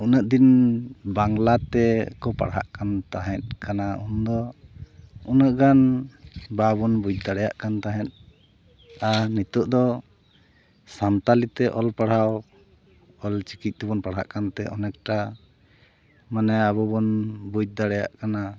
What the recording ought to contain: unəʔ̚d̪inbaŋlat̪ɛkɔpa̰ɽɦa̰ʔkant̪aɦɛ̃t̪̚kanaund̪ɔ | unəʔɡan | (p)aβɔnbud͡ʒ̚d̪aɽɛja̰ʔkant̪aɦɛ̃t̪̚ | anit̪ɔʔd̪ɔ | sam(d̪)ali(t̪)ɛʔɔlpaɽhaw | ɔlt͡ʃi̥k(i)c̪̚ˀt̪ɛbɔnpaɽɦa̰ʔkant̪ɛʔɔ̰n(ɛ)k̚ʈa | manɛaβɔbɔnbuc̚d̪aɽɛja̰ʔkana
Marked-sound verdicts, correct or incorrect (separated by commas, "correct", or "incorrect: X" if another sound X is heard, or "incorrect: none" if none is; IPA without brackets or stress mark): incorrect: b, incorrect: t̪, correct, correct, correct